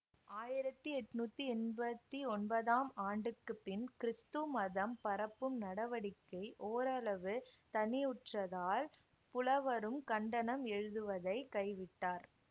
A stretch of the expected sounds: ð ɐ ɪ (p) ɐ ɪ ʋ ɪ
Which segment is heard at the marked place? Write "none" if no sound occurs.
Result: k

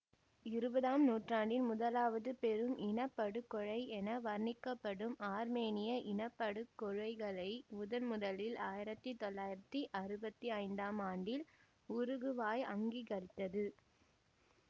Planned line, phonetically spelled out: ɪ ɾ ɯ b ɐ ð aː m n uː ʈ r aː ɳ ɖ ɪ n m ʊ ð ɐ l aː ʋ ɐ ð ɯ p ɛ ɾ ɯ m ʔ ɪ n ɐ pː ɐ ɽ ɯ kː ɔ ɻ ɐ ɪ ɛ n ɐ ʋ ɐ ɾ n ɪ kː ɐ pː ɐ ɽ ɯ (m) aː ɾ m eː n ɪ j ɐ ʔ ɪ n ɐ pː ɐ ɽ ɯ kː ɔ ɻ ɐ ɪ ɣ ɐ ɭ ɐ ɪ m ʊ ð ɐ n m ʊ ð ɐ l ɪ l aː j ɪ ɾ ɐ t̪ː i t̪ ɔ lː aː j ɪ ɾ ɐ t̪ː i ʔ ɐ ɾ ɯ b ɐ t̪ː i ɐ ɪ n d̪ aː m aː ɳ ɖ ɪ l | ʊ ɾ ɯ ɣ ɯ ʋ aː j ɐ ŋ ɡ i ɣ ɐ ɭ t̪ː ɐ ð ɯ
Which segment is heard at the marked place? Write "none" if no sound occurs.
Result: m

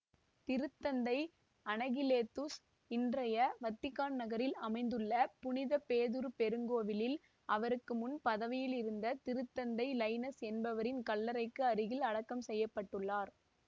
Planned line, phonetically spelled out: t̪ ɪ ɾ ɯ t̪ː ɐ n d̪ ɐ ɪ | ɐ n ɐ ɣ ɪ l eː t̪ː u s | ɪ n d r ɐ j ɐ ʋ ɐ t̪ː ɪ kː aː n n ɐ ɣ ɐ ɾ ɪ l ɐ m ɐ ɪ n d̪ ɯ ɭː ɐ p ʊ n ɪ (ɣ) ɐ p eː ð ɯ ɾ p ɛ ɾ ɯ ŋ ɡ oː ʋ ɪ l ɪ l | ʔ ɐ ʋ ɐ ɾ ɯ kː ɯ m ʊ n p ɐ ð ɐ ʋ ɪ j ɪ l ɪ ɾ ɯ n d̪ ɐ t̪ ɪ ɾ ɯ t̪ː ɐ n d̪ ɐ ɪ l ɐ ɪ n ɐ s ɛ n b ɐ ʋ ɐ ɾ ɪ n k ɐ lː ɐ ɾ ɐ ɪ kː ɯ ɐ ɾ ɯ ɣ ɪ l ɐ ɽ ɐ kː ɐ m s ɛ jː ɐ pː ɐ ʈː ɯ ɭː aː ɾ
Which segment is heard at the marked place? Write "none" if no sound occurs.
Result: ð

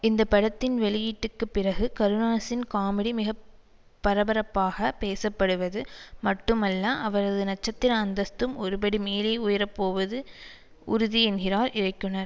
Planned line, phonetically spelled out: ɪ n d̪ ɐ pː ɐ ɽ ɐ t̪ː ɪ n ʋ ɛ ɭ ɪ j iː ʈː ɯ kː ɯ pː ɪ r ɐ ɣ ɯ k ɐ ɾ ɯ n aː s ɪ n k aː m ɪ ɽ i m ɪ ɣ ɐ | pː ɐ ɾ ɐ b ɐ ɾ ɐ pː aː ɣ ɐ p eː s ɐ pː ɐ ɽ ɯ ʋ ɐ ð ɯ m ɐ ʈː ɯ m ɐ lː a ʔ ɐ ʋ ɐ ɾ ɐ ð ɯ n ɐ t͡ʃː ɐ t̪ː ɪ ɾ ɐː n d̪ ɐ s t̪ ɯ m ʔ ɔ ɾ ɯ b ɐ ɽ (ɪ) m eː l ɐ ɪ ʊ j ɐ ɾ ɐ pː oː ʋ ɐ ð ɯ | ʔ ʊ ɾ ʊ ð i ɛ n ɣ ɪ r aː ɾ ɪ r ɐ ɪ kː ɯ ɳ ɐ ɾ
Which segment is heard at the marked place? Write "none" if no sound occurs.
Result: i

